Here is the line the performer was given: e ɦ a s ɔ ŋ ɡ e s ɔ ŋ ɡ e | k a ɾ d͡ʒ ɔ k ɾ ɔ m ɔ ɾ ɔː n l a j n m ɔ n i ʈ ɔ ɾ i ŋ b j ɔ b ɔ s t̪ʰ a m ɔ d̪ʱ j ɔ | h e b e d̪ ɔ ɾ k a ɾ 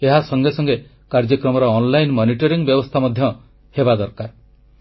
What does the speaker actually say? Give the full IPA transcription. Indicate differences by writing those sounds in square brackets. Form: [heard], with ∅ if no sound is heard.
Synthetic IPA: e ɦ a s ɔ ŋ ɡ e s ɔ ŋ ɡ e | k a ɾ d͡ʒ ɔ k ɾ ɔ m ɔ ɾ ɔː n l a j n m ɔ n i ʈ ɔ ɾ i ŋ b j ɔ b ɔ s t̪ʰ a m ɔ d̪ʱ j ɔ | h e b [a] d̪ ɔ ɾ k a ɾ